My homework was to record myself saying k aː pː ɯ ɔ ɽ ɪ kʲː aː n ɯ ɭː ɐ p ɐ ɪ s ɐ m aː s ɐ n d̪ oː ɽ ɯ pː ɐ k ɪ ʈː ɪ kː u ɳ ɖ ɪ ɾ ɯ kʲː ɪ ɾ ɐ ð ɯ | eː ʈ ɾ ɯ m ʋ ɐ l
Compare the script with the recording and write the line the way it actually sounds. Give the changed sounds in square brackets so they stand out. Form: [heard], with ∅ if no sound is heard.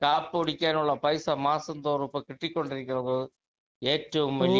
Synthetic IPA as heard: k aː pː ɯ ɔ ɽ ɪ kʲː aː n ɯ ɭː ɐ p ɐ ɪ s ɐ m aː s ɐ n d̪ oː [ɾ] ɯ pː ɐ k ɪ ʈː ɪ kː [ɔ] ɳ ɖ ɪ ɾ ɯ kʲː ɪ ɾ ɐ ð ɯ | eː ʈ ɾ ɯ m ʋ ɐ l